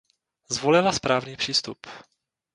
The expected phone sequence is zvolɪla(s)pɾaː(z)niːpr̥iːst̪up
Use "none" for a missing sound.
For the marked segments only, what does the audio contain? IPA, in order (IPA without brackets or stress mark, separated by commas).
s, v